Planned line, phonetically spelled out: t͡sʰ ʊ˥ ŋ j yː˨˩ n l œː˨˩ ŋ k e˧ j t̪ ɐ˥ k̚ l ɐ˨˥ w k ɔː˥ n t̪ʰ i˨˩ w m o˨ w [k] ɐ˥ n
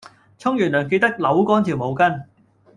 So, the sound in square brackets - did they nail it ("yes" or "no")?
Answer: yes